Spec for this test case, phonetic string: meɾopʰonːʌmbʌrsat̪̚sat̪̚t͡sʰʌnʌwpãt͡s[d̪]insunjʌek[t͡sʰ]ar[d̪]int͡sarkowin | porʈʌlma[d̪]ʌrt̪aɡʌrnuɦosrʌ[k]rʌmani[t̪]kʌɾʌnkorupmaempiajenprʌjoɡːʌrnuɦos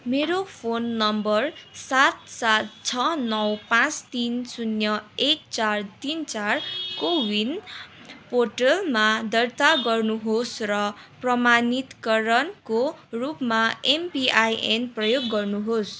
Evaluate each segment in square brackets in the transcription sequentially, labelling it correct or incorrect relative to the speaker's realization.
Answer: incorrect: t̪, incorrect: t͡s, incorrect: t̪, correct, incorrect: p, correct

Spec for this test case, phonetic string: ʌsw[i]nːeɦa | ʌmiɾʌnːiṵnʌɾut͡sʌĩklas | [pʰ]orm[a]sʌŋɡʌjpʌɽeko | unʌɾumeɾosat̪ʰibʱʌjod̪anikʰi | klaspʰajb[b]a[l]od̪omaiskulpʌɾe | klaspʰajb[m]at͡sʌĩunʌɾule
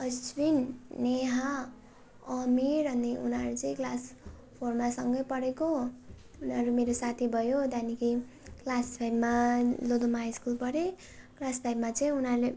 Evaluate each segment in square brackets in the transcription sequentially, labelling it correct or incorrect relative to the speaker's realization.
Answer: correct, correct, correct, incorrect: m, correct, correct

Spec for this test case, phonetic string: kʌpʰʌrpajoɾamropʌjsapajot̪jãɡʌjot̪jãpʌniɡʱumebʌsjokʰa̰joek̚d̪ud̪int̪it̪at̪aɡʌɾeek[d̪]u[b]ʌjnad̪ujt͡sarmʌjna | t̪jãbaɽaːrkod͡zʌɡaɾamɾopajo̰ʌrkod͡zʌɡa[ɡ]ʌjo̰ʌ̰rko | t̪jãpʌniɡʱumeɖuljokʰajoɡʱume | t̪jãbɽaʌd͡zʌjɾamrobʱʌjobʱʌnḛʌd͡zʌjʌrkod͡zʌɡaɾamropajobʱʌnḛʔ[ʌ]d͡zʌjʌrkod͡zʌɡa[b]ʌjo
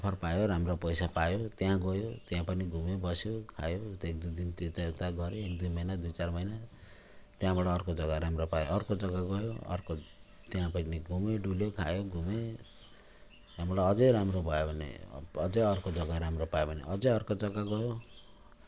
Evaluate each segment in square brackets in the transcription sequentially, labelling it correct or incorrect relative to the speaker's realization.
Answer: correct, incorrect: m, correct, correct, incorrect: ɡ

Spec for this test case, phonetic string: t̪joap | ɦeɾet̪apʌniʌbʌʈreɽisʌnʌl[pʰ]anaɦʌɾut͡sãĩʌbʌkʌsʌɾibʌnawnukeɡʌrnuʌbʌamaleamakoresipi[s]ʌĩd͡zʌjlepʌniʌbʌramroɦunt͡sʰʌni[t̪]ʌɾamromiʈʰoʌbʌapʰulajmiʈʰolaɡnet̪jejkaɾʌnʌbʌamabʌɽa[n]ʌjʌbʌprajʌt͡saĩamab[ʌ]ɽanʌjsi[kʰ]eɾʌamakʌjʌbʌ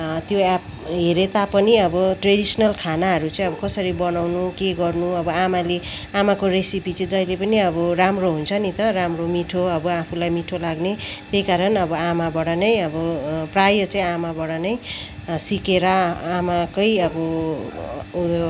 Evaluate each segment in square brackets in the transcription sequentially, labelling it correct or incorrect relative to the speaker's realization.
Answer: incorrect: kʰ, incorrect: t͡s, correct, correct, correct, incorrect: k

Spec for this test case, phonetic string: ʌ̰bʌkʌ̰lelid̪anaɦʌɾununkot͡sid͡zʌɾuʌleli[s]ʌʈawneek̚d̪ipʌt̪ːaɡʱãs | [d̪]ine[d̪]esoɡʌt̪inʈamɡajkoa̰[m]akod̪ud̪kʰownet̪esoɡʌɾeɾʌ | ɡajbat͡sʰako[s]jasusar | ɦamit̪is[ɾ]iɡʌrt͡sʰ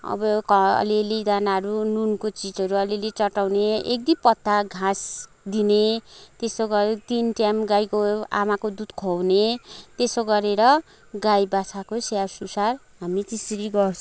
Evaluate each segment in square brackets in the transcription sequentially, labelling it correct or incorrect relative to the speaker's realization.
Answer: incorrect: t͡s, correct, incorrect: t̪, correct, correct, correct

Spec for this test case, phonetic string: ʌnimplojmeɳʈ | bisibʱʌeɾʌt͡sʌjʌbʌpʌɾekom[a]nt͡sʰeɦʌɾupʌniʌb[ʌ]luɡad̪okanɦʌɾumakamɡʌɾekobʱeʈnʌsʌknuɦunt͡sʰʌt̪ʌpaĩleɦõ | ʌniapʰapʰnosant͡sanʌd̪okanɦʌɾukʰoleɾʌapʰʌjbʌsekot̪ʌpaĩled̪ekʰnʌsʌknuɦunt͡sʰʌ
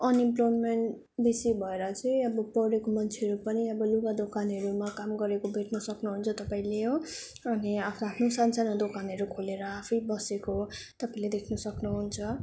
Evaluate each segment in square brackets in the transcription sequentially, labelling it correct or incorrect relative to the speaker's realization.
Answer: incorrect: ʌ, correct

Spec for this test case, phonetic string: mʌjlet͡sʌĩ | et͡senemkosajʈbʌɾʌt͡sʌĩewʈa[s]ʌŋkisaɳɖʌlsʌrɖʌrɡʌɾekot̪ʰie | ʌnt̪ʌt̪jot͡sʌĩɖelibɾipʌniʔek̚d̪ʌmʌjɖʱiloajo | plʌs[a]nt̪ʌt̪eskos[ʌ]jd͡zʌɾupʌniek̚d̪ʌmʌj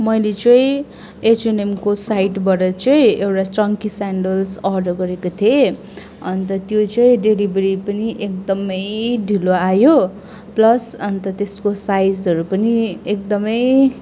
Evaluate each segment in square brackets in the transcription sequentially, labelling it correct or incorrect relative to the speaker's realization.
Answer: incorrect: t͡s, incorrect: ʌ, incorrect: a

